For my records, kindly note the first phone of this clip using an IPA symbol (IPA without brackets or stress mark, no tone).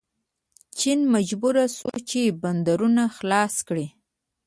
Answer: t͡ʃ